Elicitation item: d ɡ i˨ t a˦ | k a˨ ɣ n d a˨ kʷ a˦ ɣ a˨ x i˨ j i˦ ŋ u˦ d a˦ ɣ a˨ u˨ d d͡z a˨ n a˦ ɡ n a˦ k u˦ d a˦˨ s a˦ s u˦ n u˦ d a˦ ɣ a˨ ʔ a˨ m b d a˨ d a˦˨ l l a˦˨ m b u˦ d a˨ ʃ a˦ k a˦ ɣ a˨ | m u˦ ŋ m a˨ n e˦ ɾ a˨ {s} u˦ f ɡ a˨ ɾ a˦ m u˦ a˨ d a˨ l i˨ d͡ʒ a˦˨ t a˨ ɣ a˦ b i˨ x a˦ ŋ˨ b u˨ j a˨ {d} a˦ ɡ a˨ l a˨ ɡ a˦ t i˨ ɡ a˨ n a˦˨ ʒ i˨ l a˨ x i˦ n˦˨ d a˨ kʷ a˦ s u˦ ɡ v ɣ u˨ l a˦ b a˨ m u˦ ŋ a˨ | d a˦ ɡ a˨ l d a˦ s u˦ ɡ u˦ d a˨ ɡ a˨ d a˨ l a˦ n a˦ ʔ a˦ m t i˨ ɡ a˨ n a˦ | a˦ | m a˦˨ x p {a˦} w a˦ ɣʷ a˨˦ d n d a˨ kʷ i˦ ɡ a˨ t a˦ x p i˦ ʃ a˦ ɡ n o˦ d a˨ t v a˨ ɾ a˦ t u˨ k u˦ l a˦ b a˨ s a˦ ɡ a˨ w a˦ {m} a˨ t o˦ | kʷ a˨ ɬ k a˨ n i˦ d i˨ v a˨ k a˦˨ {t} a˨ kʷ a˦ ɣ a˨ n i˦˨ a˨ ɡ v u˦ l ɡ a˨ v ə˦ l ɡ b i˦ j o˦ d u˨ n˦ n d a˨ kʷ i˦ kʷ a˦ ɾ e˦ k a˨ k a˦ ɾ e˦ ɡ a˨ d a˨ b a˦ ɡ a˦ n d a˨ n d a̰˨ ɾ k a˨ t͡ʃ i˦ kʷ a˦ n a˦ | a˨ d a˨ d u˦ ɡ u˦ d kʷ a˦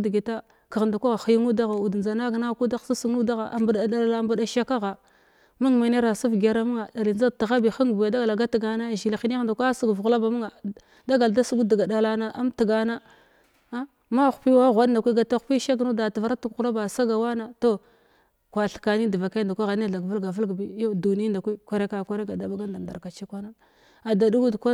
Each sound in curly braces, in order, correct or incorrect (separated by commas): correct, correct, incorrect, incorrect, incorrect